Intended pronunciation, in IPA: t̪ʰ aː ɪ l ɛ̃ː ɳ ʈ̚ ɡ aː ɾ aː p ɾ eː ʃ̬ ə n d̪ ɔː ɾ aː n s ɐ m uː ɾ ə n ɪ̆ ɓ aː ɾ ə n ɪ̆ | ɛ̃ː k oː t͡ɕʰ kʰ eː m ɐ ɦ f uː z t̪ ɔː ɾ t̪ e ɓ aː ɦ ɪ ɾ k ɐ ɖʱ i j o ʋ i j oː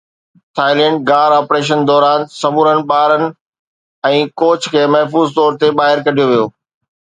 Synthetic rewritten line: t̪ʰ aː ɪ l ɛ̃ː ɳ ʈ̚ ɡ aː ɾ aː p ɾ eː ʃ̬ ə n d̪ ɔː ɾ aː n s ɐ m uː ɾ ə n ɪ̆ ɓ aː ɾ ə n ɪ̆ | ɛ̃ː k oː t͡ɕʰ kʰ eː m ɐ ɦ f uː z t̪ ɔː ɾ t̪ e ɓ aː ɦ ɪ ɾ k ɐ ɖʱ i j o ʋ i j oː

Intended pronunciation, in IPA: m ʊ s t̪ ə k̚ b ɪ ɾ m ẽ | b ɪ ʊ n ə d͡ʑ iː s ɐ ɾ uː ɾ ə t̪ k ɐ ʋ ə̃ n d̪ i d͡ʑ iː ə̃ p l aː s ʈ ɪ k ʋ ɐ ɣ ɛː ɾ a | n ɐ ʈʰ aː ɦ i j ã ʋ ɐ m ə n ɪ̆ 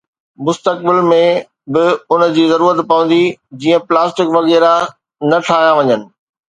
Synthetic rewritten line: m ʊ s t̪ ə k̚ b ɪ l m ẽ | b ɪ ʊ n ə d͡ʑ iː z ɐ ɾ uː ɾ ə t̪ p ɐ ʋ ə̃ n d̪ i d͡ʑ iː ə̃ p l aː s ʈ ɪ k ʋ ɐ ɣ ɛː ɾ a | n ɐ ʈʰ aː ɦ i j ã ʋ ɐ ɲ ə n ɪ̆

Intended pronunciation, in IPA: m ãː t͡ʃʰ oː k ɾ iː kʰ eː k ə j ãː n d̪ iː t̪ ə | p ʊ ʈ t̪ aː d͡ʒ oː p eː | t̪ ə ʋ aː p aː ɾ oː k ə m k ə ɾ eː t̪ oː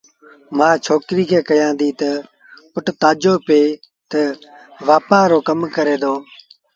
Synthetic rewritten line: m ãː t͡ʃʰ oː k ɾ iː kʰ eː k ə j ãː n d̪ iː t̪ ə | p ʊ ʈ t̪ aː d͡ʒ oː p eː | t̪ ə ʋ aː p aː ɾ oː k ə m k ə ɾ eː d̪ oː

